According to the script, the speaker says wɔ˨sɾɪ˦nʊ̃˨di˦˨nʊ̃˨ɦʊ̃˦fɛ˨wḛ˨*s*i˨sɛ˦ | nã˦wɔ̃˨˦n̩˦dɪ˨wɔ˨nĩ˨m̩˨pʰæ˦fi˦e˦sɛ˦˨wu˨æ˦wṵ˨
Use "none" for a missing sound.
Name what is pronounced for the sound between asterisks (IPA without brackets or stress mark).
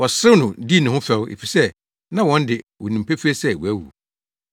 f